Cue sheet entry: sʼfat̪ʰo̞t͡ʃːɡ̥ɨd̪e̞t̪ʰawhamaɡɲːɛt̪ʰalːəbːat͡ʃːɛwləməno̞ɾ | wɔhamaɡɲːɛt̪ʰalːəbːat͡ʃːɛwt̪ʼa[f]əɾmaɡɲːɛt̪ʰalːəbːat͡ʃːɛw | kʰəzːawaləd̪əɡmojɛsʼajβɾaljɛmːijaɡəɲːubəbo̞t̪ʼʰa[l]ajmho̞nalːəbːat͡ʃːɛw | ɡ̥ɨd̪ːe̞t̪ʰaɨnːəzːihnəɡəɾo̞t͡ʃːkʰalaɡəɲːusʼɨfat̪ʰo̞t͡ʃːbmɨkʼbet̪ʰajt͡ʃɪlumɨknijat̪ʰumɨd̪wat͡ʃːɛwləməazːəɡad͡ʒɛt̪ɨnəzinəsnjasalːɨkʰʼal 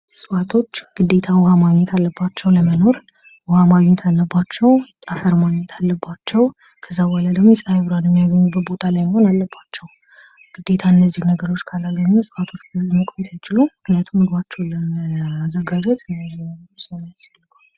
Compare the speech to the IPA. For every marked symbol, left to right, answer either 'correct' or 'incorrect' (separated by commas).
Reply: correct, correct